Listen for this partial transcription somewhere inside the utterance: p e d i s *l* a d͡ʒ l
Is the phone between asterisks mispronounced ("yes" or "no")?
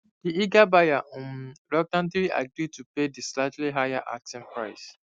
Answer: no